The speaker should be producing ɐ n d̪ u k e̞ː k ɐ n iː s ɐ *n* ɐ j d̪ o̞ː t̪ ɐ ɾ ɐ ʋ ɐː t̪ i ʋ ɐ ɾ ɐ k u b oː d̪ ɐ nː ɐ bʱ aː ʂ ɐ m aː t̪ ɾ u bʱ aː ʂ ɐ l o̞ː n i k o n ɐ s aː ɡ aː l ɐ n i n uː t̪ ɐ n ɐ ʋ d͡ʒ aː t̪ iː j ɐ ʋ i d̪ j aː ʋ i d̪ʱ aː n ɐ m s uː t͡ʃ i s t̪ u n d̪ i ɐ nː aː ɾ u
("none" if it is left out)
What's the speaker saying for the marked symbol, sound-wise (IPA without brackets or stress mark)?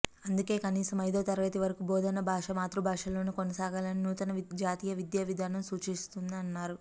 m